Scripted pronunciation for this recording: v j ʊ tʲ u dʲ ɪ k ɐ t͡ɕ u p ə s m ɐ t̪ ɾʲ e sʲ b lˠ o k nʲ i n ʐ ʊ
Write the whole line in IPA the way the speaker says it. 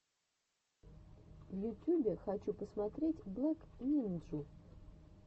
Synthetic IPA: v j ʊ tʲ u bʲ ɪ x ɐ t͡ɕ u p ə s m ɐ t̪ ɾʲ e tʲ b lˠ o k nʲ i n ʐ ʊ